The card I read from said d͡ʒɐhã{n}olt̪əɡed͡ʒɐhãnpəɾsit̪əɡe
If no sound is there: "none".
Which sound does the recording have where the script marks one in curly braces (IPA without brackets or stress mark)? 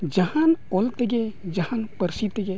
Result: n